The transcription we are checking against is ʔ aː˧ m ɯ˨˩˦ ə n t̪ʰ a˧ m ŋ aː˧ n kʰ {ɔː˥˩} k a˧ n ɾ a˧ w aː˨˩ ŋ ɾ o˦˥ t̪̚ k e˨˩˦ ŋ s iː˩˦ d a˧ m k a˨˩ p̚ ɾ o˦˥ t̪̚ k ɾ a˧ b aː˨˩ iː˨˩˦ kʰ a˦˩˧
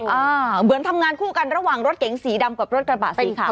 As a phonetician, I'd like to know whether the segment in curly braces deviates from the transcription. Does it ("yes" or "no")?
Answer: yes